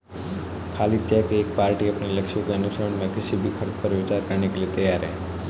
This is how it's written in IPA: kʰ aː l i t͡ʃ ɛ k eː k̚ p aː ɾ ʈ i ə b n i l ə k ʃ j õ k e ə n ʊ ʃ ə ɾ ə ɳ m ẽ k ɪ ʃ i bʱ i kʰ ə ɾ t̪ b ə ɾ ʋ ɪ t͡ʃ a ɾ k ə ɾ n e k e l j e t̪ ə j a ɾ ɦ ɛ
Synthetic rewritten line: kʰ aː l i t͡ʃ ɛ k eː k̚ p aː ɾ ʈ i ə p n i l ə k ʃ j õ k e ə n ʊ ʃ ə ɾ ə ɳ m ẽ k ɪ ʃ i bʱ i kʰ ə ɾ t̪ p ə ɾ ʋ ɪ t͡ʃ a ɾ k ə ɾ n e k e l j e t̪ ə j a ɾ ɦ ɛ